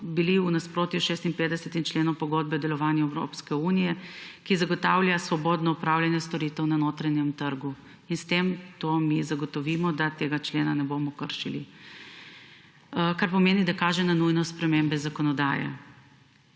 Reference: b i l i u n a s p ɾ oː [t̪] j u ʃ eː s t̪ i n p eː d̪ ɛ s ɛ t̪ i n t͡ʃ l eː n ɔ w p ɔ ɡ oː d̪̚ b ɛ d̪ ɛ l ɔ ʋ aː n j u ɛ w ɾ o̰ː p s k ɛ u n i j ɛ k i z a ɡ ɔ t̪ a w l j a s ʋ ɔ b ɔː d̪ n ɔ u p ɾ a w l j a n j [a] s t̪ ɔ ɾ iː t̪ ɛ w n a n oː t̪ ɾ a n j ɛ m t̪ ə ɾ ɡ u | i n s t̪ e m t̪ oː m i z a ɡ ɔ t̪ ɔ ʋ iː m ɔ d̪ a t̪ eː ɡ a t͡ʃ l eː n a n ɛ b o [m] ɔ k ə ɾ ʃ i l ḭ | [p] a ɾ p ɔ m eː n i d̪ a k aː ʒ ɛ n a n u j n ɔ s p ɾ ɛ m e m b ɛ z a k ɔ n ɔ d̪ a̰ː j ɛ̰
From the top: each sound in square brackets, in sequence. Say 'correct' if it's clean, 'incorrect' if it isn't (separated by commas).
correct, incorrect, correct, incorrect